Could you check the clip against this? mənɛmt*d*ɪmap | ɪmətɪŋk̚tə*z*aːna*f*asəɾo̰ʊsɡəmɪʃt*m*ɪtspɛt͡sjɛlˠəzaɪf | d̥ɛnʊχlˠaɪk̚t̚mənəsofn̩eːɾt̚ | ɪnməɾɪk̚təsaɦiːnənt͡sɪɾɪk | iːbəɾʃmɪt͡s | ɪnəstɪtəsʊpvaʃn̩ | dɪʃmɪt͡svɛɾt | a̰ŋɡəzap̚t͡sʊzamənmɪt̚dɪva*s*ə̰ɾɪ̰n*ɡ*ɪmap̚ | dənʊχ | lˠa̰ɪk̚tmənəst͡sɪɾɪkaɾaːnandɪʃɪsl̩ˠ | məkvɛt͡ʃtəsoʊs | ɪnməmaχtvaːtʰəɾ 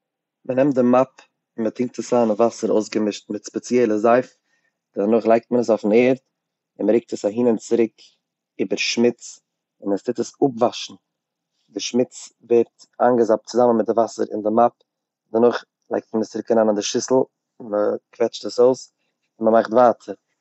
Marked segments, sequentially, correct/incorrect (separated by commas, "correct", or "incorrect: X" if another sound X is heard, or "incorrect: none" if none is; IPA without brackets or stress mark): correct, incorrect: s, incorrect: v, correct, correct, incorrect: d